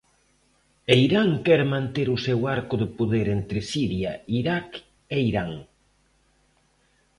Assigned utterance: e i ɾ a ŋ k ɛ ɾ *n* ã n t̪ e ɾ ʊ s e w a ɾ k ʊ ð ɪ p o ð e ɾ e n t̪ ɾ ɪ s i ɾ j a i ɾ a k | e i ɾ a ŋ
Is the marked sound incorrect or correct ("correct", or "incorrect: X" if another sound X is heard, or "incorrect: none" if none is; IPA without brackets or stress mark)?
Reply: incorrect: m